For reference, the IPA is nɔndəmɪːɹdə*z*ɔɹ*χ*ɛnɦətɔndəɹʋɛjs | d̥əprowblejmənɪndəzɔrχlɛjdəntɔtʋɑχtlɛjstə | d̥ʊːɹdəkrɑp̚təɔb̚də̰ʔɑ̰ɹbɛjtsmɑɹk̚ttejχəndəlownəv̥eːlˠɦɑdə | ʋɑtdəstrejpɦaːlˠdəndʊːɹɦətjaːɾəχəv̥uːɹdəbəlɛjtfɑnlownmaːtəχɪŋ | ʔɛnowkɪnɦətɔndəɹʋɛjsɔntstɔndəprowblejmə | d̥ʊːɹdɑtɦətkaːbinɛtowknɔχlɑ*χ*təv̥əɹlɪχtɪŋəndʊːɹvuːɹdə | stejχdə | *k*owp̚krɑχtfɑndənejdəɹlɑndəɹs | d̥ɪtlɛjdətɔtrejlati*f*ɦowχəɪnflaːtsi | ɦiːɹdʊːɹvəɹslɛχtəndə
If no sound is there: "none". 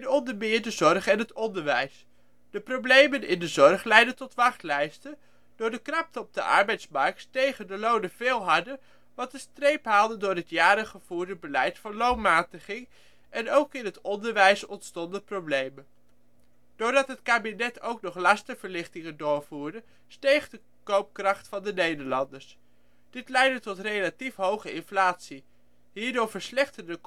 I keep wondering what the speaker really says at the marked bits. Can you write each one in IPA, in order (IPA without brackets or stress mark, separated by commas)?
z, χ, s, k, f